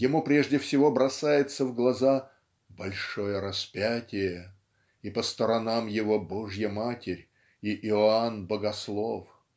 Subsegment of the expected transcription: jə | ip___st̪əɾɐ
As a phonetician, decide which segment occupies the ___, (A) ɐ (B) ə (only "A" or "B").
B